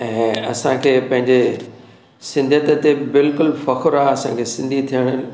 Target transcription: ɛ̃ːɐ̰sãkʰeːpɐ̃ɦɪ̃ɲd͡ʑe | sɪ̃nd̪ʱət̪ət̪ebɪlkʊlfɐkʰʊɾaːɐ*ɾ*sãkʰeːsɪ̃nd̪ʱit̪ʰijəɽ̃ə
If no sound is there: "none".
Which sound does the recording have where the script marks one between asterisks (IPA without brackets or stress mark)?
none